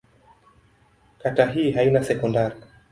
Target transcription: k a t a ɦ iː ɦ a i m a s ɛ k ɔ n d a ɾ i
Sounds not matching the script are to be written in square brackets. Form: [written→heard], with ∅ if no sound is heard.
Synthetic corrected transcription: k a t a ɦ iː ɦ a i [m→n] a s ɛ k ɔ n d a ɾ i